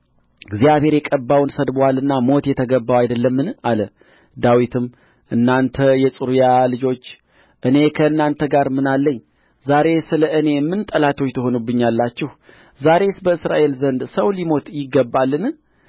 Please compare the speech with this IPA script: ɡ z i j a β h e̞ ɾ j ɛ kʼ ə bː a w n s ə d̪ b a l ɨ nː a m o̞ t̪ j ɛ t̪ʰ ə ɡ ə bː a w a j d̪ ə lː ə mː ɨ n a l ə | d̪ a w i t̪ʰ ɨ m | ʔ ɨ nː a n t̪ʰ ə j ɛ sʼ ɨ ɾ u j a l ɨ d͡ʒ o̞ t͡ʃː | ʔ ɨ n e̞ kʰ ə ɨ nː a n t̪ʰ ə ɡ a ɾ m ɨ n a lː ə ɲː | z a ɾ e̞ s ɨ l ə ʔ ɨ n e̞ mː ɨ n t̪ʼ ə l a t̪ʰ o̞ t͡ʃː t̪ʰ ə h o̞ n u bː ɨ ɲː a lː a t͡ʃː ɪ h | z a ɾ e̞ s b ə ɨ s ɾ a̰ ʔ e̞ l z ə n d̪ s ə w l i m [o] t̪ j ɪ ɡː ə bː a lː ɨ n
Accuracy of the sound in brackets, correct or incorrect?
correct